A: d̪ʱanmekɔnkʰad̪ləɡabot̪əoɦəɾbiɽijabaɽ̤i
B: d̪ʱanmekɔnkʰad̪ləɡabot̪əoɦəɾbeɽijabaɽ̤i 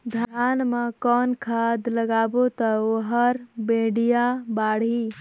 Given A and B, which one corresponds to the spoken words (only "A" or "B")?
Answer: B